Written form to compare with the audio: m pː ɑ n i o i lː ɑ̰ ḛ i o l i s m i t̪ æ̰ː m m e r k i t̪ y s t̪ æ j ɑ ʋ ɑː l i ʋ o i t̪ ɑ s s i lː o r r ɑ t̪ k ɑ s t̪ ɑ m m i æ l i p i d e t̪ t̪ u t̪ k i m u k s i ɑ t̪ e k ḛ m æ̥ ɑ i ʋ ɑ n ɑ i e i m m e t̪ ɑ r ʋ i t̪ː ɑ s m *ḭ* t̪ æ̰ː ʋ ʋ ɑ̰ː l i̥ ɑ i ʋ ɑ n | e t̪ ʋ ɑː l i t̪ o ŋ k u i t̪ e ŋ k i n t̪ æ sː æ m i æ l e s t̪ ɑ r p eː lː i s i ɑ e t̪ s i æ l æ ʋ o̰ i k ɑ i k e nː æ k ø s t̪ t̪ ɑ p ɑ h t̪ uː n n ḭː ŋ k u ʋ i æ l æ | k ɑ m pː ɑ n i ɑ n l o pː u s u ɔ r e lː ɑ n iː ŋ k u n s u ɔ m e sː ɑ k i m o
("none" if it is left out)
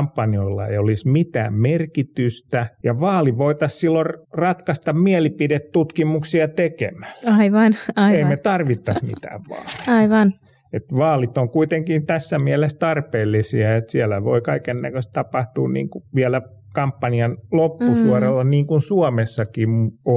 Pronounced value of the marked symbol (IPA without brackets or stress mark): ḭ